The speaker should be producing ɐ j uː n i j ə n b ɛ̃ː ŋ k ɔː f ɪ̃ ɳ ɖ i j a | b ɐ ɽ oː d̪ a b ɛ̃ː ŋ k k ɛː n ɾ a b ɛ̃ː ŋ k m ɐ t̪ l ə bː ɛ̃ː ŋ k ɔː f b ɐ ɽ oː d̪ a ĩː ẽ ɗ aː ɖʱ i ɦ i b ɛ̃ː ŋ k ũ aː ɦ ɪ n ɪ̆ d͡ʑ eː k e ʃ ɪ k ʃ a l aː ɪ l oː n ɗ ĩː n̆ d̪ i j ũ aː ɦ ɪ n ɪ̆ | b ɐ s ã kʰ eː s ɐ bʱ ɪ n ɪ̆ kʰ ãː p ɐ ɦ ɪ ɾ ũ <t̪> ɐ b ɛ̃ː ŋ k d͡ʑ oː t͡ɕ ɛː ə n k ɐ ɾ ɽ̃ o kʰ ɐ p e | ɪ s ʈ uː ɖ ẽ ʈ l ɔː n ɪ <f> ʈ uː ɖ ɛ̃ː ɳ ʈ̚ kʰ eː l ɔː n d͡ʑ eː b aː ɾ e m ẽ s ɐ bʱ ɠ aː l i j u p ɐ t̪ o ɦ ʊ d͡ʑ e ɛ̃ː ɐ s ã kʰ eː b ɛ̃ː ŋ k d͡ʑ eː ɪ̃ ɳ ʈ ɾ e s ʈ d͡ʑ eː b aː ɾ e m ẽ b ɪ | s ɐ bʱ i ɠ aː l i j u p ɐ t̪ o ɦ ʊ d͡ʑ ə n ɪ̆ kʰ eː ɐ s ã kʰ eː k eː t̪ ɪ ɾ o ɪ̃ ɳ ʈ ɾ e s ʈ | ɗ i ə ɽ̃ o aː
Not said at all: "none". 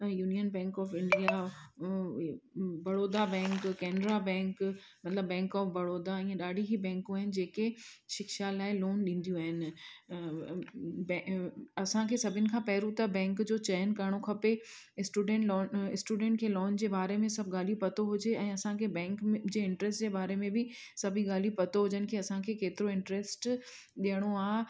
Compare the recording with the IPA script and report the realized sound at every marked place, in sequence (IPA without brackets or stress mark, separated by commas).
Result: t̪, s